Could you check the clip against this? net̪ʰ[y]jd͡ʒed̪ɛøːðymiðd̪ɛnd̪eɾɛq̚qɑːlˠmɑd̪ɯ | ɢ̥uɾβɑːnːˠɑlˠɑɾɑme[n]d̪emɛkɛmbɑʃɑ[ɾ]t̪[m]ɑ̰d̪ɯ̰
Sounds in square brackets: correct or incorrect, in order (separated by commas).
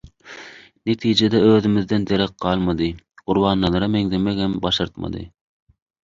incorrect, incorrect, correct, correct